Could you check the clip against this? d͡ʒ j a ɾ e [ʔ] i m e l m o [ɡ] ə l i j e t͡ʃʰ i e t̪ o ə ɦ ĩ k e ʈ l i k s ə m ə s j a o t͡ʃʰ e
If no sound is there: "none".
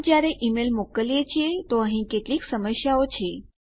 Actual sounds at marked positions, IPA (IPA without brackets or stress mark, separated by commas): ʔ, k